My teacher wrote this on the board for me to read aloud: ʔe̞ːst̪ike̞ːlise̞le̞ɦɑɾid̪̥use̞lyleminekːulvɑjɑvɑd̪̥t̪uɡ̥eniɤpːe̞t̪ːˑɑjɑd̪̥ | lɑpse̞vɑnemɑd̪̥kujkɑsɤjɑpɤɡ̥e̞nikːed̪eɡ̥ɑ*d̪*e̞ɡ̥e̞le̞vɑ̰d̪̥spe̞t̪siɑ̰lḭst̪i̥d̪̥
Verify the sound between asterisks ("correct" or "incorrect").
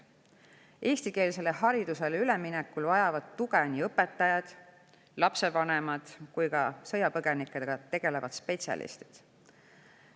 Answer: incorrect